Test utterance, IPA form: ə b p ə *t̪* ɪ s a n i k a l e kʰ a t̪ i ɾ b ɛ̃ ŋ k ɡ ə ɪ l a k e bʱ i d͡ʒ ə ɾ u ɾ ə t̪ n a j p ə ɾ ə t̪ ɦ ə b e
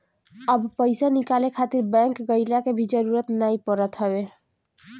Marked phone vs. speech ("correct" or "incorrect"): incorrect